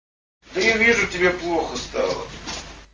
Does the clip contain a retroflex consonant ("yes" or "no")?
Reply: yes